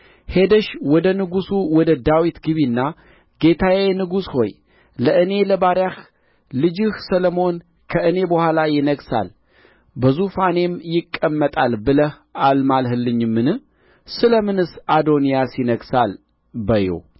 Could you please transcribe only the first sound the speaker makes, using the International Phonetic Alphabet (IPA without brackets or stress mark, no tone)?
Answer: h